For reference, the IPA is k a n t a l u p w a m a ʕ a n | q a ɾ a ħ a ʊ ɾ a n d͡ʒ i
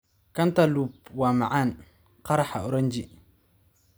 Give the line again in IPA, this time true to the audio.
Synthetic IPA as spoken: k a n t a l u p w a m a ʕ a n | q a ɾ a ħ a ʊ ɾ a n d͡ʒ i